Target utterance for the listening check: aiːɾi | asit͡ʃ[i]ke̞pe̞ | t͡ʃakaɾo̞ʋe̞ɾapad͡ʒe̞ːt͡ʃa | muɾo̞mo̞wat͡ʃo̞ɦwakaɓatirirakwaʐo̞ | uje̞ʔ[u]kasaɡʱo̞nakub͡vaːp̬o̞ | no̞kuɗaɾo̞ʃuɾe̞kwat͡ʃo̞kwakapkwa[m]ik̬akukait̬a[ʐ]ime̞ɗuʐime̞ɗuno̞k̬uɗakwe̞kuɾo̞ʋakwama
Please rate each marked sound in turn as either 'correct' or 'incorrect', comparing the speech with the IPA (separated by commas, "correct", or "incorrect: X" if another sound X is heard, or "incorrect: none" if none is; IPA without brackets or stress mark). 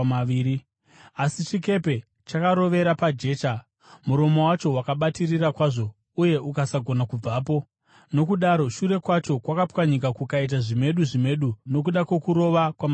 correct, correct, incorrect: ɲ, correct